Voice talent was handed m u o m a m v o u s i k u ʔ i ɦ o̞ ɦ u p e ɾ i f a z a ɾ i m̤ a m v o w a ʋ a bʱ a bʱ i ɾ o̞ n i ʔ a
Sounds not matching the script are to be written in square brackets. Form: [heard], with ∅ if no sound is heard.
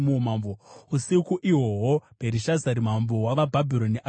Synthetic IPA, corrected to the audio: m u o m a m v o u s i k u ʔ i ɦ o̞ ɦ [o] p e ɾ i [ʃ] a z a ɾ i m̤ a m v o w a ʋ a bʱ a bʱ i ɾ o̞ n i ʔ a